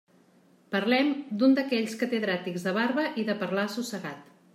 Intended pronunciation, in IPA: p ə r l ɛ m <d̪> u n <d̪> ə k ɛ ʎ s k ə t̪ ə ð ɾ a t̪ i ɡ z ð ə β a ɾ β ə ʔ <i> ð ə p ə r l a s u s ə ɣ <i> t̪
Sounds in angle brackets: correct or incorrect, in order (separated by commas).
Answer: correct, correct, correct, incorrect